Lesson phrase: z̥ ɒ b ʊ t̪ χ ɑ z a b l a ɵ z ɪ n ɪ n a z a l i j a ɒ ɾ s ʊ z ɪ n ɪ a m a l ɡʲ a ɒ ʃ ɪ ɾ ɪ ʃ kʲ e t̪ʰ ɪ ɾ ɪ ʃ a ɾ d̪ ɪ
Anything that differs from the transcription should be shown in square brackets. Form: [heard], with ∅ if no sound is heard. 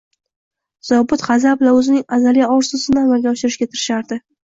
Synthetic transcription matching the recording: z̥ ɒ b ʊ t̪ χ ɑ z a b l a ɵ z ɪ n ɪ [ŋ] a z a l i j a ɒ ɾ s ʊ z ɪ n ɪ a m a l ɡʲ a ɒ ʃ ɪ ɾ ɪ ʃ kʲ [a] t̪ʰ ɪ ɾ ɪ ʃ a ɾ d̪ ɪ